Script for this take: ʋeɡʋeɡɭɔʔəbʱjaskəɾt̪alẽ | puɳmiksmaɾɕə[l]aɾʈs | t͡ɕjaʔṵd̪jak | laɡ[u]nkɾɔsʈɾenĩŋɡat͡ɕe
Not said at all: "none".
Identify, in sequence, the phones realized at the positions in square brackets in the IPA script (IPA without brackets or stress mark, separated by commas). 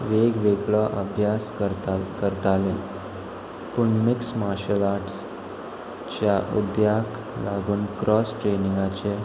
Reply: l, uː